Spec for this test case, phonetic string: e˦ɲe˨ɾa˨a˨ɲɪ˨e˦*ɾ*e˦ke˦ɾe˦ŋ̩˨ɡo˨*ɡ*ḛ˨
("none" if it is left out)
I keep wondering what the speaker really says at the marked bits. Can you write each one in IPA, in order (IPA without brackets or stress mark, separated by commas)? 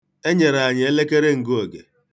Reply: l, ɡ